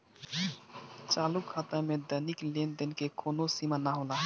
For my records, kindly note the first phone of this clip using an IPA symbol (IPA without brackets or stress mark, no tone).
t͡ʃ